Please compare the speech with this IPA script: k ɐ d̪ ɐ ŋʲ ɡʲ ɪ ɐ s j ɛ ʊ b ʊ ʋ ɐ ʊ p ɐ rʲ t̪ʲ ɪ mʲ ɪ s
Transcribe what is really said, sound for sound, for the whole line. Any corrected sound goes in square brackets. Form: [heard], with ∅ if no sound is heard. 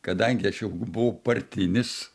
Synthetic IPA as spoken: k ɐ d̪ ɐ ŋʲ ɡʲ ɪ ɐ [ʃ] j ɛ ʊ b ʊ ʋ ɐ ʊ p ɐ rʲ t̪ʲ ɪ [nʲ] ɪ s